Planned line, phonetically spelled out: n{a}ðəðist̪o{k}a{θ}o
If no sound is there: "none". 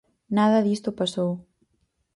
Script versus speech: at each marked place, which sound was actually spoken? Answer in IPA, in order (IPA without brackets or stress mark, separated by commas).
a, p, s